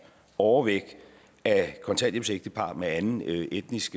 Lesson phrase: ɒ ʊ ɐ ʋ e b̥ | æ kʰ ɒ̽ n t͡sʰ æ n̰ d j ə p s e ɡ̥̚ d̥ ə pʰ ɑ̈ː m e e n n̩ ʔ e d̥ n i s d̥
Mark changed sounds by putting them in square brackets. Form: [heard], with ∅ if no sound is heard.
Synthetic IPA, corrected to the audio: ɒ ʊ ɐ ʋ e [ɡ̥] | æ kʰ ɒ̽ n t͡sʰ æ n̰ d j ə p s e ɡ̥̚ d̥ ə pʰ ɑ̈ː m e [æ] n n̩ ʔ e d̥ n i s [ɡ̥]